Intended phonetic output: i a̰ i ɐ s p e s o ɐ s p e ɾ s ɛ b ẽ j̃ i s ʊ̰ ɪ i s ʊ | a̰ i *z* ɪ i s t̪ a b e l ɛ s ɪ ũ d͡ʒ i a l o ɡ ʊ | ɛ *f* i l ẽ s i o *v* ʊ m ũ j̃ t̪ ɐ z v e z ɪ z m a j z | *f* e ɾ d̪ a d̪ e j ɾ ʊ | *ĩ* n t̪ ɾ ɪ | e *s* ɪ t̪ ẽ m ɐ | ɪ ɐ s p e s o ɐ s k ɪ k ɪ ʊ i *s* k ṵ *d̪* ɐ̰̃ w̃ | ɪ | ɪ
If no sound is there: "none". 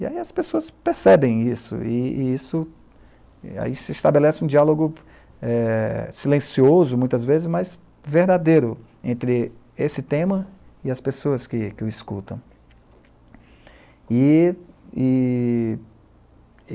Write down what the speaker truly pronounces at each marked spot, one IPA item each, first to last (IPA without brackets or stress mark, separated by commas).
s, s, z, v, ẽ, s, s, t̪